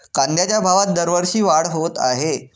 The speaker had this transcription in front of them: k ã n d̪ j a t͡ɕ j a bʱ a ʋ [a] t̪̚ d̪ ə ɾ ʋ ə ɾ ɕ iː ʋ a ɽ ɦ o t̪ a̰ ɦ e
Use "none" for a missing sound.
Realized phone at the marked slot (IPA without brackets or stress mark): a